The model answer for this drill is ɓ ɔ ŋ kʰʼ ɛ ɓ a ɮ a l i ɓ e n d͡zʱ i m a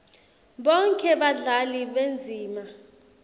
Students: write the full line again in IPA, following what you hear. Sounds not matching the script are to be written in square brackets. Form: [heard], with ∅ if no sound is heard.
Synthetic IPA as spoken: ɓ ɔ ŋ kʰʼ ɛ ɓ a ɮ a l i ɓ e n d͡zʱ [iː] m a